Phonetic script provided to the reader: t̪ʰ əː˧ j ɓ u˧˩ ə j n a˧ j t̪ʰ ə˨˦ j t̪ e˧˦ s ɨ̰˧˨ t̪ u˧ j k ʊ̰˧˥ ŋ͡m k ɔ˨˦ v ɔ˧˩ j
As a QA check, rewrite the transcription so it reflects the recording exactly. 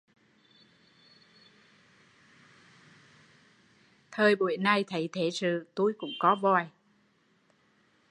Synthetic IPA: t̪ʰ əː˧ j ɓ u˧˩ ə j n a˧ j t̪ʰ ə˨˦ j t̪ʰ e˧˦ s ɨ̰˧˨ t̪ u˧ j k ʊ̰˧˥ ŋ͡m k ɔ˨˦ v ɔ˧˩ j